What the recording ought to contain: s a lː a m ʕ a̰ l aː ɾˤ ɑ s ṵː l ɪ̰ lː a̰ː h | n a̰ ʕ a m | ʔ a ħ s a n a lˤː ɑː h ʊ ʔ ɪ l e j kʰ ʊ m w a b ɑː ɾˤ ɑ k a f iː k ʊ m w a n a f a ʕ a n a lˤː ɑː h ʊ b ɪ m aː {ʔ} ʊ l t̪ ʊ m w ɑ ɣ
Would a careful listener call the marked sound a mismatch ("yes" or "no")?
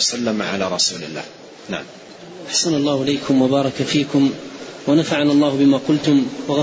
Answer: yes